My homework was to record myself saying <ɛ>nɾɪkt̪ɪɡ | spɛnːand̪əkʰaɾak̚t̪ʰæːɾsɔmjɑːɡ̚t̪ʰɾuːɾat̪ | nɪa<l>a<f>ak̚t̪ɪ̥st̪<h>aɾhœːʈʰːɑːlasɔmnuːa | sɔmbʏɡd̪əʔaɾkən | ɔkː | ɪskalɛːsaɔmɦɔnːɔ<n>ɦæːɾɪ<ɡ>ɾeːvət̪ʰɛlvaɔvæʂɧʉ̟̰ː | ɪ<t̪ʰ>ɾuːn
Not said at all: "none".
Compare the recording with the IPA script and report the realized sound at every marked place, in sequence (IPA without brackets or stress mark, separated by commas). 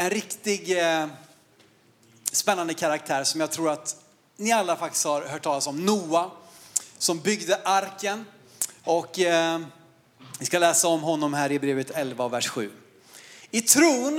ɛ, lː, f, h, m, b, t̪ʰ